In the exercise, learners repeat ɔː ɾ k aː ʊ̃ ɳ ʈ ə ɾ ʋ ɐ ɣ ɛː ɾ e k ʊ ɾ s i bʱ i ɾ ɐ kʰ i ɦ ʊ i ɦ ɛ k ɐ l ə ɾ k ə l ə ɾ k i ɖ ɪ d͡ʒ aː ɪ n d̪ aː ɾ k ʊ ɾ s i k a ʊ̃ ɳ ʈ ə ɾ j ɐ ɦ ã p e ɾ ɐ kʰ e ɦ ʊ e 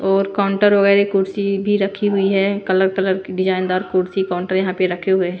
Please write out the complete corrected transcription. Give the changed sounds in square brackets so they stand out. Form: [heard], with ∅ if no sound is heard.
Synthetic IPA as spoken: ɔː ɾ k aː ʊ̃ ɳ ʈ ə ɾ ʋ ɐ ɣ ɛː ɾ e k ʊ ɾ s i bʱ i ɾ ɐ kʰ i ɦ ʊ i ɦ ɛ k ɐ l ə ɾ k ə l ə ɾ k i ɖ ɪ d͡ʒ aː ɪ n d̪ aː ɾ k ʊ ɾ s i k a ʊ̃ ɳ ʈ ə ɾ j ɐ ɦ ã p e ɾ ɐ kʰ e ɦ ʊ e